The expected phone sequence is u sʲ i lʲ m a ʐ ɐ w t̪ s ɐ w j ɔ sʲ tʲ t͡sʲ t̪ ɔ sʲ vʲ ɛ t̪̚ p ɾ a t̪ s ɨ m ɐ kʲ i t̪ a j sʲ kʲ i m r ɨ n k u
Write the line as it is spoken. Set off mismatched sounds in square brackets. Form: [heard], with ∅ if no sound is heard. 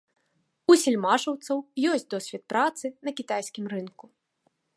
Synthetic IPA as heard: u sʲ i lʲ m a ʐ ɐ w t̪ s ɐ w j ɔ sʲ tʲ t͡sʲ [d̪] ɔ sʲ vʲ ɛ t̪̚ p ɾ a t̪ s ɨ [n] ɐ kʲ i t̪ a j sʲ kʲ i m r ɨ n k u